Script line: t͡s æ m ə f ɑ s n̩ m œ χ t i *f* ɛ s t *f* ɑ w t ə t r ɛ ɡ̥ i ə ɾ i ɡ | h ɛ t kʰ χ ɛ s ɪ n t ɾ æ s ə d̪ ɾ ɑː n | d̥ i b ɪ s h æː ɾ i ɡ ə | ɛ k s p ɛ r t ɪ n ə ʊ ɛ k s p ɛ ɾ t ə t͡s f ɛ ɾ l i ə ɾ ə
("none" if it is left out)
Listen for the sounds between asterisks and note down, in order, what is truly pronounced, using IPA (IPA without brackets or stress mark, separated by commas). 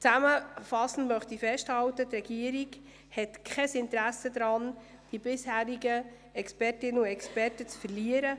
f, h